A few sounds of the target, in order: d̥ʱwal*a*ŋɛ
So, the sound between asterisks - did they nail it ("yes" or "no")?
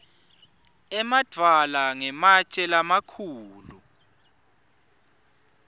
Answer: yes